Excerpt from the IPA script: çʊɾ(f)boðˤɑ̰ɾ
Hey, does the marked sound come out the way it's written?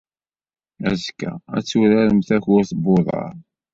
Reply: no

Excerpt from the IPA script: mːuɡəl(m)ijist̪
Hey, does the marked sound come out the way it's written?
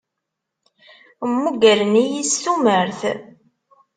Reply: no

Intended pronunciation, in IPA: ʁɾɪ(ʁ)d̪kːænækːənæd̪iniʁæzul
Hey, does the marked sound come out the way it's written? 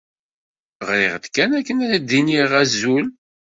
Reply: yes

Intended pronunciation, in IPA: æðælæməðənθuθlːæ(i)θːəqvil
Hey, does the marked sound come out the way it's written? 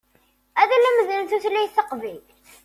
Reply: no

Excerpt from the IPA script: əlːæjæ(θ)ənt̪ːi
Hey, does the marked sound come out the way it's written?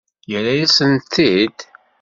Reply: no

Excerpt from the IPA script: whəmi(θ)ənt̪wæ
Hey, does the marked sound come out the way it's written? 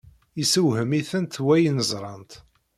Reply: yes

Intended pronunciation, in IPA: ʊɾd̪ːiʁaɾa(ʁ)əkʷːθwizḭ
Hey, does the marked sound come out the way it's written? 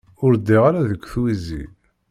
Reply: no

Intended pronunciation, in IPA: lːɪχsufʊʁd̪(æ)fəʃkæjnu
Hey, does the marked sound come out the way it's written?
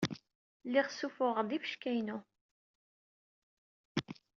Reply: no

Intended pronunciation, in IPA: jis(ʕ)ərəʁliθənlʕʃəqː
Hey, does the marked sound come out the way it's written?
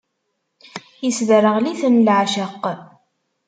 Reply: no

